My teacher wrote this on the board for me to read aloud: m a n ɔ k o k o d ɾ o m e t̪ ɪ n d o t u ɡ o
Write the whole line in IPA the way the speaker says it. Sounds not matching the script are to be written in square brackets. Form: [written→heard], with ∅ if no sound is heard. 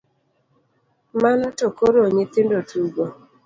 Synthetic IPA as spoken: m a n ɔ [k→t] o k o [d→∅] ɾ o [m→ɲ] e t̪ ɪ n d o t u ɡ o